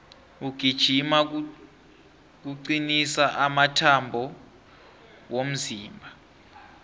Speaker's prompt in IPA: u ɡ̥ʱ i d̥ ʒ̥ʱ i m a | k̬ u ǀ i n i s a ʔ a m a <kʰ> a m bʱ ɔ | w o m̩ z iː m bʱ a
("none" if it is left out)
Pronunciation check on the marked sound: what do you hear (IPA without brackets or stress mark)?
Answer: tʰ